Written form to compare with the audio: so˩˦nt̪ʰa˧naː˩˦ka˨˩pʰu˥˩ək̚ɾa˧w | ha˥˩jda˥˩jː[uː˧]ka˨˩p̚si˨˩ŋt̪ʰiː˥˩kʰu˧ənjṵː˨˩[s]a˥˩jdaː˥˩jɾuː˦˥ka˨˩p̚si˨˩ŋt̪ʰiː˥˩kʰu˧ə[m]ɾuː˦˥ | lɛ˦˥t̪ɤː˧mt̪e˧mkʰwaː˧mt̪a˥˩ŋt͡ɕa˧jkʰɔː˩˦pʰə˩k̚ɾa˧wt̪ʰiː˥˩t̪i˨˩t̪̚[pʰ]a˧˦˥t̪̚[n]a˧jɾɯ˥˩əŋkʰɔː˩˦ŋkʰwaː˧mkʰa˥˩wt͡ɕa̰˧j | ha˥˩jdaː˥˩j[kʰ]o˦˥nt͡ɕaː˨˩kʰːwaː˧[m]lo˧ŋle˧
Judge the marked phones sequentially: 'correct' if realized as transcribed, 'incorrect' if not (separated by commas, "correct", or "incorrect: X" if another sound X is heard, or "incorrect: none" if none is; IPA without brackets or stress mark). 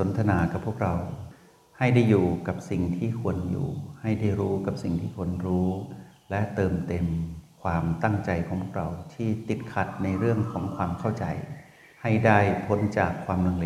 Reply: incorrect: uː˨˩, incorrect: h, incorrect: n, incorrect: kʰ, correct, incorrect: pʰ, correct